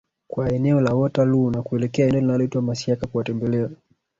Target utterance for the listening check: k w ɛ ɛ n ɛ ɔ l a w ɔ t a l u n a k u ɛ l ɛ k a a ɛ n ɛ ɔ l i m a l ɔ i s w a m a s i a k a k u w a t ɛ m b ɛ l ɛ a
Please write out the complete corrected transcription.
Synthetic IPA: k w a ɛ n ɛ ɔ l a w ɔ t a l u n a k u ɛ l ɛ k ɛ a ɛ n ɛ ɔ l i n a l ɔ i t w a m a s i a k a k u w a t ɛ m b ɛ l ɛ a